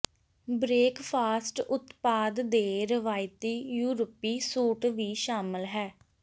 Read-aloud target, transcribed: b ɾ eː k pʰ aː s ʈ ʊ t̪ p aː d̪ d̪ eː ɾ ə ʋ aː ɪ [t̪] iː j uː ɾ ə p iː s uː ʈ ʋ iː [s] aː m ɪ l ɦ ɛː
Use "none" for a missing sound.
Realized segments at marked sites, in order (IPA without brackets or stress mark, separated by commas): t̪, ʃ